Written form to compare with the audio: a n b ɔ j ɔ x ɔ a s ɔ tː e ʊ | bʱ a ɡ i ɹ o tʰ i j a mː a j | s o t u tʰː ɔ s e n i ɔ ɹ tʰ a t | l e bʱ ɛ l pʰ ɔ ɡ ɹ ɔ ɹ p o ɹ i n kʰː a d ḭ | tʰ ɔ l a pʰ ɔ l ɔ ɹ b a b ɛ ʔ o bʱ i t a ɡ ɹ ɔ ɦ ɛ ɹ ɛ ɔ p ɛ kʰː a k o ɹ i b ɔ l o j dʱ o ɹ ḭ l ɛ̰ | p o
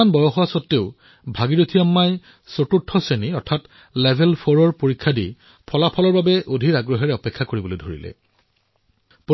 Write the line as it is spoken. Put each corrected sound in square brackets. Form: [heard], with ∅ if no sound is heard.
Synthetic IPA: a n b ɔ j ɔ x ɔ a s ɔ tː e ʊ | bʱ a ɡ i ɹ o tʰ i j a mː a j | s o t u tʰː ɔ s e n i ɔ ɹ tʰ a t | l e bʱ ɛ l pʰ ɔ [∅] ɹ ɔ ɹ p o ɹ i [∅] kʰː a d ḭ | [pʰ] ɔ l a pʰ ɔ l ɔ ɹ b a b ɛ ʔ o [dʱ] i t a ɡ ɹ ɔ ɦ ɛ ɹ ɛ ɔ p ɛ kʰː a k o ɹ i b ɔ l o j dʱ o ɹ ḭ l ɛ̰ | p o

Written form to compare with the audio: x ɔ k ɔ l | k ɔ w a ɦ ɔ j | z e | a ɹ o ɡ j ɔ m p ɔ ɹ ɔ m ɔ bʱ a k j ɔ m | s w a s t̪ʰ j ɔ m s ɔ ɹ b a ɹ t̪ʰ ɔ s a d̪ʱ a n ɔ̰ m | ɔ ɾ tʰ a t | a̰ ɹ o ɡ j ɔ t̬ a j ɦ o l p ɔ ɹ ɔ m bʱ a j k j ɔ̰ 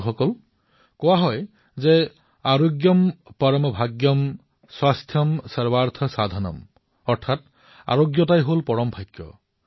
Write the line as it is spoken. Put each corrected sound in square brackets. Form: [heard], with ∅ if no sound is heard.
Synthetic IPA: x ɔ k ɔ l | k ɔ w a ɦ ɔ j | z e | a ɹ o ɡ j ɔ m p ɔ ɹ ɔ m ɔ bʱ a [ɡ] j ɔ m | s w a s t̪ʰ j ɔ m s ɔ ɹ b a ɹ t̪ʰ ɔ s a d̪ʱ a n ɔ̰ m | ɔ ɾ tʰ a t | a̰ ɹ o ɡ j ɔ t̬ a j ɦ o l p ɔ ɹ ɔ m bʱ a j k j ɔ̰

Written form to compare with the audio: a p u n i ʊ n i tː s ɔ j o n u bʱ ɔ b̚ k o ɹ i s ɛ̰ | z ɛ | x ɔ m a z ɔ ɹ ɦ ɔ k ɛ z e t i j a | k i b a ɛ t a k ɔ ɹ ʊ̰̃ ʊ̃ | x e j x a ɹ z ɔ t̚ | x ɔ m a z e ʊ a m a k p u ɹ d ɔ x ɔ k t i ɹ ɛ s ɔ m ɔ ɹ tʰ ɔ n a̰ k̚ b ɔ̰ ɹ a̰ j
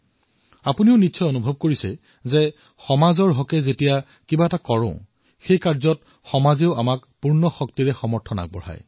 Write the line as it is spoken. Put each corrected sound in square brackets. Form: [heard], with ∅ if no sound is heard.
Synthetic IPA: a p u n i ʊ n i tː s ɔ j o n u bʱ ɔ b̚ k o ɹ i s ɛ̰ | z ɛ | x ɔ m a z ɔ ɹ ɦ ɔ k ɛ z e t i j a | k i b a ɛ t a k ɔ ɹ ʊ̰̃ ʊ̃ | x e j [k] a ɹ z ɔ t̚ | x ɔ m a z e ʊ a m a k p u ɹ [n] ɔ x ɔ k t i ɹ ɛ [x] ɔ m ɔ ɹ tʰ ɔ n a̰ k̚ b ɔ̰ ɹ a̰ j

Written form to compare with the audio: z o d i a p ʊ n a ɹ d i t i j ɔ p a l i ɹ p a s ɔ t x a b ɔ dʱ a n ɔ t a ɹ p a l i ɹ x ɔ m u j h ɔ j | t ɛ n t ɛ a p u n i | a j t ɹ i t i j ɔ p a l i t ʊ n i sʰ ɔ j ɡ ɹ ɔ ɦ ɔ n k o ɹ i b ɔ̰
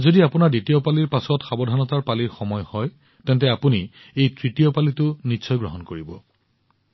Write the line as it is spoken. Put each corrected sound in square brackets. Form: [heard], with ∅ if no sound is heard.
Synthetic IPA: z o d i a p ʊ n a ɹ d i t i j ɔ p a l i ɹ p a s ɔ t x a b ɔ dʱ a n ɔ t a ɹ p a l i ɹ x ɔ m [ɔ] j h ɔ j | t ɛ n t ɛ a p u n i | [e] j t ɹ i t i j ɔ p a l i t ʊ n i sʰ ɔ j ɡ ɹ ɔ ɦ ɔ n k o ɹ i b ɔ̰

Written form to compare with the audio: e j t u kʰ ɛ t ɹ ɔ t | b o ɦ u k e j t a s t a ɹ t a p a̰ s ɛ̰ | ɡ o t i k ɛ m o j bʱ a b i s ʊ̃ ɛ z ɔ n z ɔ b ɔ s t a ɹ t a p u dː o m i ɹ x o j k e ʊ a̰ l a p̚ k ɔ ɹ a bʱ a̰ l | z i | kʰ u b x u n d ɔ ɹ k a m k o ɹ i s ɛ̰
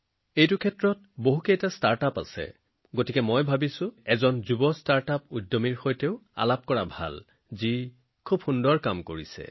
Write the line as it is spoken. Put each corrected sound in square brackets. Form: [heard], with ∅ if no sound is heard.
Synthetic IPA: e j t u kʰ ɛ t ɹ ɔ t | b o ɦ u k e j t a s t a ɹ t a p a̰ s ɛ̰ | ɡ o t i k ɛ m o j bʱ a b i s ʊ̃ ɛ z ɔ n z [u] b ɔ s t a ɹ t a p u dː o m i ɹ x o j [t] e ʊ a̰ l a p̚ k ɔ ɹ a bʱ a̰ l | z i | kʰ u b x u n d ɔ ɹ k a m k o ɹ i s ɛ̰

